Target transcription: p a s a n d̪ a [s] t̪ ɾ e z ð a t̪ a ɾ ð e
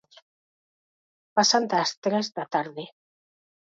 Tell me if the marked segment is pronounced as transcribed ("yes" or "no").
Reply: yes